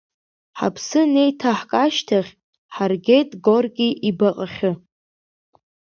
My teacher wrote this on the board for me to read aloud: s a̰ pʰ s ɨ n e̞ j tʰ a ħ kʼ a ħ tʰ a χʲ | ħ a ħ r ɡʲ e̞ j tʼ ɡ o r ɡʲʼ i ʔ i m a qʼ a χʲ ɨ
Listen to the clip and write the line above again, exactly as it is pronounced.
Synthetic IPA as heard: ħ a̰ pʰ s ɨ n e̞ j tʰ a ħ kʼ a ʃ tʰ a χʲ | ħ a r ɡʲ e̞ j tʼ ɡ o r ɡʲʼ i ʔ i b a qʼ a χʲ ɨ